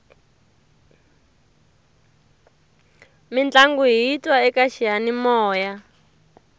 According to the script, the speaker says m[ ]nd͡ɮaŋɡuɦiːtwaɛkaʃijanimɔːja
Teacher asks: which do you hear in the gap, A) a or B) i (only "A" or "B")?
B